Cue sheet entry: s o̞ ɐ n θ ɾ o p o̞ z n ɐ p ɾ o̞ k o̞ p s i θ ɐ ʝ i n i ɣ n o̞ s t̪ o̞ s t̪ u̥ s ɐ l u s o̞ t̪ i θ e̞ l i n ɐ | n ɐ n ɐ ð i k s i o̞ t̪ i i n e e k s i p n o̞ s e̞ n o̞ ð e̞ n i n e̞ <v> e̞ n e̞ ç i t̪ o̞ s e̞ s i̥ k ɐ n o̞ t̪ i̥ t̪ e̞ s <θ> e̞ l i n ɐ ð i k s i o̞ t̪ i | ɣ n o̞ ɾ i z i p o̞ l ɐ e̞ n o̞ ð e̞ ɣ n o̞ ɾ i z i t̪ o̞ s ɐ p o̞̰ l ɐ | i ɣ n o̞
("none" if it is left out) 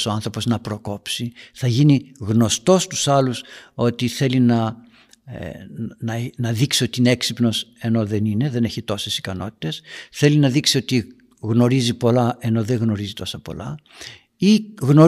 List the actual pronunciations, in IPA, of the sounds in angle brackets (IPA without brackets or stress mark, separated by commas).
ð, θ